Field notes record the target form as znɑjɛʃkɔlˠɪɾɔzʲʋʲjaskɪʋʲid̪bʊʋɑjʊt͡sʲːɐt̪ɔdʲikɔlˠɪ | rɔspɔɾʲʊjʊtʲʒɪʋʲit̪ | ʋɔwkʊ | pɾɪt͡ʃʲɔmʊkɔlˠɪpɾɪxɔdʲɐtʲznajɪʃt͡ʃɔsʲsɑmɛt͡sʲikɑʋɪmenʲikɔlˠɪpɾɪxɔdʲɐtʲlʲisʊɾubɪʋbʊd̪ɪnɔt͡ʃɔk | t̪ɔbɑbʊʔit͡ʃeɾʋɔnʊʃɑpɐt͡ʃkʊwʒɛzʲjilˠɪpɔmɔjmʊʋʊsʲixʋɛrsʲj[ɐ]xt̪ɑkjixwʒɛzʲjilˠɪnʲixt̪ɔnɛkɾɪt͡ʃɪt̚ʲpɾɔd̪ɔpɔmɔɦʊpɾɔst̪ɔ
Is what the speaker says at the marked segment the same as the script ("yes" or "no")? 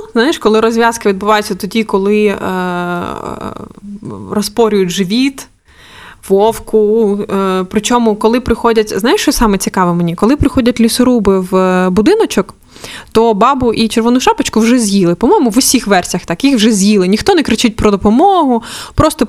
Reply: yes